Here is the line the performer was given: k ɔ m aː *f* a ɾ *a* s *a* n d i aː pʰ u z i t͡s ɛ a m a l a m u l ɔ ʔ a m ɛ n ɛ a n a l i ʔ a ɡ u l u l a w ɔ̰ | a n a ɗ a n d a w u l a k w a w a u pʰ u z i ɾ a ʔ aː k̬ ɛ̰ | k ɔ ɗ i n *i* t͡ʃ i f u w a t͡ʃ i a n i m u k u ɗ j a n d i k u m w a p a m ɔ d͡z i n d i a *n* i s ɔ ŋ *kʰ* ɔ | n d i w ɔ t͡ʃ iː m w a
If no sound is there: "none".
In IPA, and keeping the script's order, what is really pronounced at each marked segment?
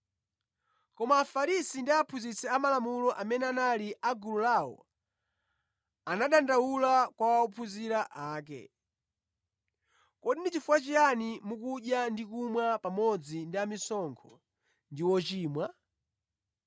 f, i, i, i, m, kʰ

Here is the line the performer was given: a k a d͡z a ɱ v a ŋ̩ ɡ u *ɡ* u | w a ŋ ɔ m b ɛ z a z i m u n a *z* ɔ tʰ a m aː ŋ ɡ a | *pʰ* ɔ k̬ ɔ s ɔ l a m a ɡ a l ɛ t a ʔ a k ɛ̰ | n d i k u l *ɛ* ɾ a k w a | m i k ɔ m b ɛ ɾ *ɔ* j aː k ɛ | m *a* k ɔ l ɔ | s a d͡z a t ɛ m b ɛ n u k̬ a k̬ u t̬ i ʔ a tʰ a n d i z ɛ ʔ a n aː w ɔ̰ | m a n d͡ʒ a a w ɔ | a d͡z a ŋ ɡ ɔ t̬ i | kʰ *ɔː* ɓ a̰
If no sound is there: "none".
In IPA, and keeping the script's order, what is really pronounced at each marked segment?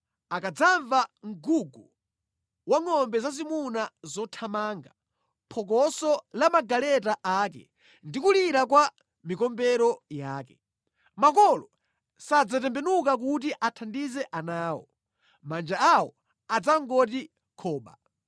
ɡ, z, pʰ, i, ɔ, a, ɔː

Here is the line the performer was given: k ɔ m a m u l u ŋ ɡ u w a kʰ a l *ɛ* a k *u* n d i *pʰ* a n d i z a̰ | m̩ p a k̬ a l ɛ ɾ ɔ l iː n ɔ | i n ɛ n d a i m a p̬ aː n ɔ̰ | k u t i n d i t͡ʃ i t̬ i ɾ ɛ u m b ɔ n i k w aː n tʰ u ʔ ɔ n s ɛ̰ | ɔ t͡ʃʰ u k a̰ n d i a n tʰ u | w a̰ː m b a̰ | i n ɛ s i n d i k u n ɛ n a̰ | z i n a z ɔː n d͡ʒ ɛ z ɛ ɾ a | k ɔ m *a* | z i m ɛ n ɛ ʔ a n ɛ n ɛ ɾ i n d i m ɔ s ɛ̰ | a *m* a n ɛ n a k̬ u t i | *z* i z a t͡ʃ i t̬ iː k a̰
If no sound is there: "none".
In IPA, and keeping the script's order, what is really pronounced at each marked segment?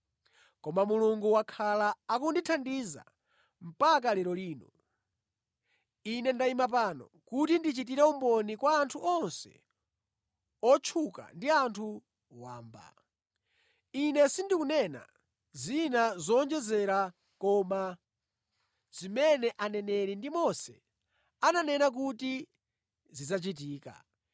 a, u, tʰ, a, n, z

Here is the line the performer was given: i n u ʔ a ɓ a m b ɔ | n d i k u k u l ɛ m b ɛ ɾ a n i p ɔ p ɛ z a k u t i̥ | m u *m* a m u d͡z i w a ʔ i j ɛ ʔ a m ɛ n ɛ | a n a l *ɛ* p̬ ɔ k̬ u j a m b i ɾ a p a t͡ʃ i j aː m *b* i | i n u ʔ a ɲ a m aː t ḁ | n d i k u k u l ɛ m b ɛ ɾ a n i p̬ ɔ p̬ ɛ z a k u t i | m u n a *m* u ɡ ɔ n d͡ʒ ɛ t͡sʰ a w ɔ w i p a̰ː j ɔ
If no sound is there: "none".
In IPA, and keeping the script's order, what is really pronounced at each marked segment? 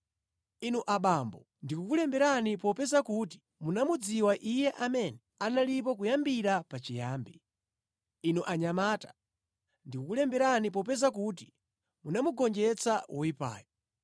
n, i, b, m

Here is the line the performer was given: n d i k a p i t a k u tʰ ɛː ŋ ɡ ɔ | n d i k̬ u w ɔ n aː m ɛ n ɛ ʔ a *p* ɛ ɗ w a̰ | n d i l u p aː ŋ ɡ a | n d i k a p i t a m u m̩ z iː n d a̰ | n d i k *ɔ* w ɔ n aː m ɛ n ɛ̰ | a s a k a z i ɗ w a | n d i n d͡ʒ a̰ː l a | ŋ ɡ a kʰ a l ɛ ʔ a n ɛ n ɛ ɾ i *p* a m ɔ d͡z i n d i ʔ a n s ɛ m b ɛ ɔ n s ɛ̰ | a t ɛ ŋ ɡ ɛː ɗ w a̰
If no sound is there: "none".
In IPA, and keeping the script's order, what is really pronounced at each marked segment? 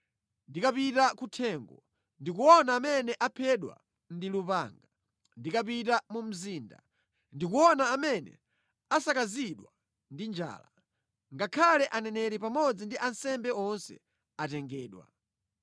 pʰ, u, p

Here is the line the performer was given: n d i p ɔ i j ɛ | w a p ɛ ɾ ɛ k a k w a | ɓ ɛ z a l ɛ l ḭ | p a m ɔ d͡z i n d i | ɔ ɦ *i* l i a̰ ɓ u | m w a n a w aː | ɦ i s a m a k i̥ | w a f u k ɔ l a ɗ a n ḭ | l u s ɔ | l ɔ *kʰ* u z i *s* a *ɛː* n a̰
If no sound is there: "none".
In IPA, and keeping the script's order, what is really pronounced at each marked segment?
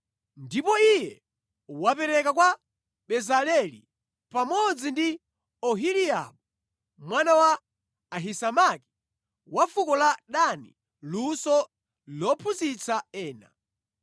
i, pʰ, t͡s, ɛː

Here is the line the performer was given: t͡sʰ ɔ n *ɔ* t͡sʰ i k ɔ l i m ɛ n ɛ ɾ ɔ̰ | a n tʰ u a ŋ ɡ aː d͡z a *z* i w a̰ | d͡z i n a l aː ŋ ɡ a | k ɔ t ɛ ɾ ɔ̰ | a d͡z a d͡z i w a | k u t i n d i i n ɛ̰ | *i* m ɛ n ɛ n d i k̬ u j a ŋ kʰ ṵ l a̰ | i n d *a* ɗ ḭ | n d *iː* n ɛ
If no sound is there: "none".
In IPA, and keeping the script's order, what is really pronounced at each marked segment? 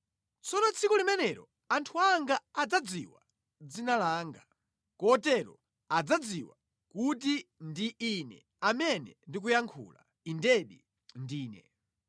ɔ, d͡z, a, ɛ, iː

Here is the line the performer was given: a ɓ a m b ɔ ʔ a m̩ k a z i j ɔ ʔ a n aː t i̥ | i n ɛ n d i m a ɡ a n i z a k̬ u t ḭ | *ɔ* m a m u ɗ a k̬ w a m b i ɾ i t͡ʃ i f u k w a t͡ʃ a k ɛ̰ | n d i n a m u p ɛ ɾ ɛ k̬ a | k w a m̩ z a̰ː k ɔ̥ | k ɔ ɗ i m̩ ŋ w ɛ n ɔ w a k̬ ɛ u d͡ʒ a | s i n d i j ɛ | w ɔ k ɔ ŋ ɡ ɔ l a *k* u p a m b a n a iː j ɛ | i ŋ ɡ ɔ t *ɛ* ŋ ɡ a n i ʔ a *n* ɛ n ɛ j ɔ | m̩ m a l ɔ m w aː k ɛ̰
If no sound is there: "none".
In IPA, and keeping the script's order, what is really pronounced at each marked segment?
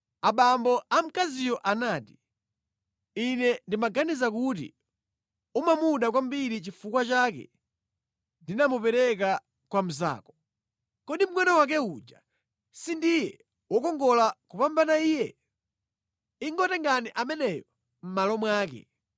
u, k, ɛ, m

